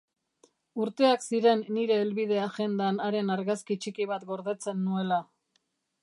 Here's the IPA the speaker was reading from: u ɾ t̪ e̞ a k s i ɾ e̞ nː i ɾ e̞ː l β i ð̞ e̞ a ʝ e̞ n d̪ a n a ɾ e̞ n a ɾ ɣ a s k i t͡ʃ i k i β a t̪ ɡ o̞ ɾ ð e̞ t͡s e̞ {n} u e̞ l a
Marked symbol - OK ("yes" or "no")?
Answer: no